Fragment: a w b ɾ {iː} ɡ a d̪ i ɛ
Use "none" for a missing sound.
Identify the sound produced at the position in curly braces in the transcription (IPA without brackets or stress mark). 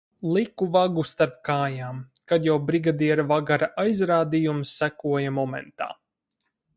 i